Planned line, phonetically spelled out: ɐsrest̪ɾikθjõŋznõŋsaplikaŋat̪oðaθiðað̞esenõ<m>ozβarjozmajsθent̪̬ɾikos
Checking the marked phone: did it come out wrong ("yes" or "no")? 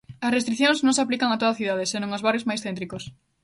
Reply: yes